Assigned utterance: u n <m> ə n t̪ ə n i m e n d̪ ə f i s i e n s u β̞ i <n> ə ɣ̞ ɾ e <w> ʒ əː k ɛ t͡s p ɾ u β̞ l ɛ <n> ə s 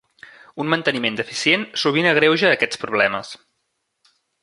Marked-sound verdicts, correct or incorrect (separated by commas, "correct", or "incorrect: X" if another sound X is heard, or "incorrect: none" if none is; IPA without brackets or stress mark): correct, correct, correct, incorrect: m